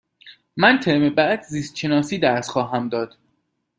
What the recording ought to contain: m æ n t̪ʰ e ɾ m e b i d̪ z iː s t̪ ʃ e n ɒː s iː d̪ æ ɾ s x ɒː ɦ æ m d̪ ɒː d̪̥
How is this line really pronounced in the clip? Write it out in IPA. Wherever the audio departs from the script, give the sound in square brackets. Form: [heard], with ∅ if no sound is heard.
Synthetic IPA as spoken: m æ n t̪ʰ e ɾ m e b [æ] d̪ z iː s t̪ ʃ e n ɒː s iː d̪ æ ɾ s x ɒː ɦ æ m d̪ ɒː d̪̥